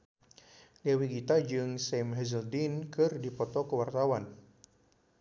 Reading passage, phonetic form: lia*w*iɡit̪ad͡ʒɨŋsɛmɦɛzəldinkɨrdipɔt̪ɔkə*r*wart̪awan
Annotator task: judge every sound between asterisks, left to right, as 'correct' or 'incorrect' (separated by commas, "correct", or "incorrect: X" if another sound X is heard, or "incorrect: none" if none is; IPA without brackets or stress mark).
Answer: correct, incorrect: none